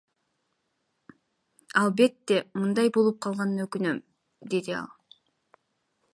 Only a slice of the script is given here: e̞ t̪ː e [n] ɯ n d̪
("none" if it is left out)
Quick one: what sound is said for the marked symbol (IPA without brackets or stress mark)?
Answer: m